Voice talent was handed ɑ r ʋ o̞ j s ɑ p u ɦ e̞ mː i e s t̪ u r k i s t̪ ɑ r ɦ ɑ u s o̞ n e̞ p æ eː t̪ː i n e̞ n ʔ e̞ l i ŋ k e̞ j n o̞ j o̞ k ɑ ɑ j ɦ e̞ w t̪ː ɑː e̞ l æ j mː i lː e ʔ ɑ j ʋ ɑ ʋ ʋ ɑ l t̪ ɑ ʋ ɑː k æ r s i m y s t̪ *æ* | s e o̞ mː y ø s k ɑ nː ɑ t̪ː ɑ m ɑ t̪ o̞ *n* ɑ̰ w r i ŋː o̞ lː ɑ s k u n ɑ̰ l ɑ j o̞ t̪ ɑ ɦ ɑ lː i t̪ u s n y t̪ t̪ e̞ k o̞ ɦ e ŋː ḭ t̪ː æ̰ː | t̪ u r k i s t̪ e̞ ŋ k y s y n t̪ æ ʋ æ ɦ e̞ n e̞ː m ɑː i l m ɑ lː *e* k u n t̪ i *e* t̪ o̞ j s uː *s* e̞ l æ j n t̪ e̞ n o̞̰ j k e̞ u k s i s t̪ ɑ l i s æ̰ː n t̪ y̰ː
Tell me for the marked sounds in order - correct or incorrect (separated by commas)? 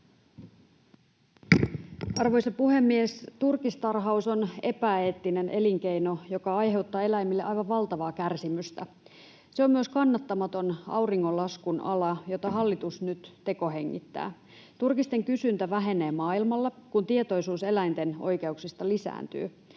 correct, correct, correct, correct, correct